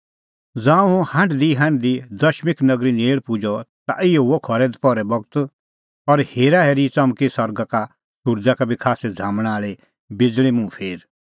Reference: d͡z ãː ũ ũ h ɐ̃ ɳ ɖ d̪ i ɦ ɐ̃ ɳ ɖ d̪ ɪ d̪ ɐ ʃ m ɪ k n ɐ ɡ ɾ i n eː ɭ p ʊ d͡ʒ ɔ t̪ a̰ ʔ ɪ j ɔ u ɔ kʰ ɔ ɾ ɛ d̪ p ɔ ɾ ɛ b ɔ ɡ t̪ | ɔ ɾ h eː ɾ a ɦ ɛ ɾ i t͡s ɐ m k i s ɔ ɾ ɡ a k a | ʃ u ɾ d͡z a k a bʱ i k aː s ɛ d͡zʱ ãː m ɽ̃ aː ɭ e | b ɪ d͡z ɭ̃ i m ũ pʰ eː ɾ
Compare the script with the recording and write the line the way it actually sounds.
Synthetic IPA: d͡z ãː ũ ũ h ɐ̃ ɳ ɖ d̪ i ɦ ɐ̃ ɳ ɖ d̪ i d̪ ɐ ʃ m ɪ k n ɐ ɡ ɾ i n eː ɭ p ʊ d͡ʒ ɔ t̪ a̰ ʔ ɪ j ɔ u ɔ kʰ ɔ ɾ ɛ d̪ p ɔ ɾ ɛ b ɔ ɡ t̪ | ɔ ɾ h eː ɾ a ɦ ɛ ɾ i t͡s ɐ m k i s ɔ ɾ ɡ a k a | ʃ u ɾ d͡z a k a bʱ i kʰ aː s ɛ d͡zʱ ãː m ɽ̃ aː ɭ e | b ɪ d͡z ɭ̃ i m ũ pʰ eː ɾ